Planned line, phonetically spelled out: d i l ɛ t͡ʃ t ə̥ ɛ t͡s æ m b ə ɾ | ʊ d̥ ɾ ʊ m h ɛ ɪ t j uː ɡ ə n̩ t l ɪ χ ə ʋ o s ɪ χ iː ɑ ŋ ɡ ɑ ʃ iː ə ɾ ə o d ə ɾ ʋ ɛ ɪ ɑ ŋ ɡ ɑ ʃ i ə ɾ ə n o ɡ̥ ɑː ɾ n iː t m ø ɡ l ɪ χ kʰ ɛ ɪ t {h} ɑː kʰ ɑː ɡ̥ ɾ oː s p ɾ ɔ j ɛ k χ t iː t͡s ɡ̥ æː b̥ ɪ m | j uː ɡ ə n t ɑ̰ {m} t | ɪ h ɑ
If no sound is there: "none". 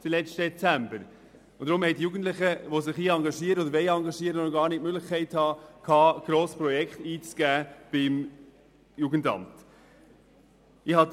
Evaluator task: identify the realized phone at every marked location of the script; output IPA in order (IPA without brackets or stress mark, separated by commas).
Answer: h, m